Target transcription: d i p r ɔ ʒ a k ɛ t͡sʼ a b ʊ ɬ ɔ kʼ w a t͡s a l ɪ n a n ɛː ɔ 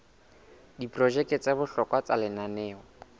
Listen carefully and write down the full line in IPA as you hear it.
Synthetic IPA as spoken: d i p r ɔ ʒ ɛ k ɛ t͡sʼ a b ʊ ɬ ɔ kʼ w a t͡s a l ɪ n a n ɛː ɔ